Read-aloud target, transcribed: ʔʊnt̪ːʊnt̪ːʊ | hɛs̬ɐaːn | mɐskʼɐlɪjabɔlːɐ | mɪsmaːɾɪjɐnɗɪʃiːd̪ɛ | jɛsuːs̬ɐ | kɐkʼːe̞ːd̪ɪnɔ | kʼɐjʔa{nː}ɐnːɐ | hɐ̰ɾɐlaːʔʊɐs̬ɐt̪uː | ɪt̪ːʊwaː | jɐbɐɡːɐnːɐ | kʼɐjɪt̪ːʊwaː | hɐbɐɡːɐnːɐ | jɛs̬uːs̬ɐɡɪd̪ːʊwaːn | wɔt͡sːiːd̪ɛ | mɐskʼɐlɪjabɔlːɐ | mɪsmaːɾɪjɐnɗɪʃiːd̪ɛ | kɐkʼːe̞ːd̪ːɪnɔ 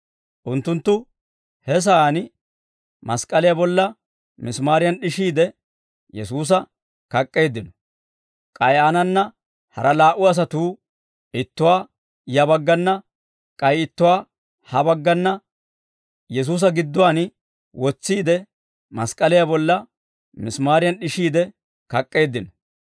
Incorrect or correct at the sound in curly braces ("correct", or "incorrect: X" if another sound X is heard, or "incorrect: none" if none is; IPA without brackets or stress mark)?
incorrect: n